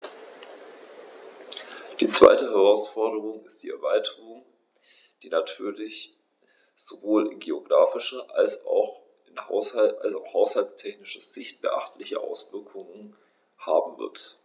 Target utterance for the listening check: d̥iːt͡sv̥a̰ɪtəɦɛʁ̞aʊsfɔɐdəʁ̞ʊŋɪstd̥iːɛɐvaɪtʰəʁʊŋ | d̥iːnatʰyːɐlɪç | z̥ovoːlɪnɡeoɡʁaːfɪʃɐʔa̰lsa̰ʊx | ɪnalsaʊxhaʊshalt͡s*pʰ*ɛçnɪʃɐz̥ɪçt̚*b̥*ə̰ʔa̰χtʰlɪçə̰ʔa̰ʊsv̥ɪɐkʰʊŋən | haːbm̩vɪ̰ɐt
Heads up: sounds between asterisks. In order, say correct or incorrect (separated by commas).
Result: incorrect, correct